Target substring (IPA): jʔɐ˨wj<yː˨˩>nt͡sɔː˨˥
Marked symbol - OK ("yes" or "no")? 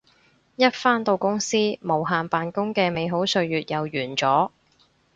yes